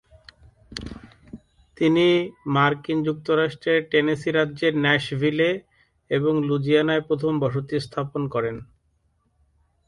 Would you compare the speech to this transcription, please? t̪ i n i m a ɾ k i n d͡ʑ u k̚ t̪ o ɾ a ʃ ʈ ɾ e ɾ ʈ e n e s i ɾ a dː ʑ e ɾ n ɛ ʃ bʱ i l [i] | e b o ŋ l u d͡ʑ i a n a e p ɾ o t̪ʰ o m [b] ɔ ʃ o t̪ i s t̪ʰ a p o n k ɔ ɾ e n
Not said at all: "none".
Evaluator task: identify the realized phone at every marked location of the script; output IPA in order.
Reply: e, b

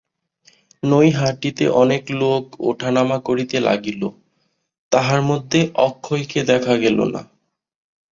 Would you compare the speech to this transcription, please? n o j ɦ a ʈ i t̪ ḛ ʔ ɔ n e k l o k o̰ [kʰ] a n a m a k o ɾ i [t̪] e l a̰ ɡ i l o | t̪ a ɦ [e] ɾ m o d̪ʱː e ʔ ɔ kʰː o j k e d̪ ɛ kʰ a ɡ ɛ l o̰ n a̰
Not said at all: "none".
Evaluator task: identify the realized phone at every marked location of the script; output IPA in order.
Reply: ʈʰ, t̪, a

